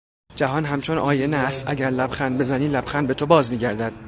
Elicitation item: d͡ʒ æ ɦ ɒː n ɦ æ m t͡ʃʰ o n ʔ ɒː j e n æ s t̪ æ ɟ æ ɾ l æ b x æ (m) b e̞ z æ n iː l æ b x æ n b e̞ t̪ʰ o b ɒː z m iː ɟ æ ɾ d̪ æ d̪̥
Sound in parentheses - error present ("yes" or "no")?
yes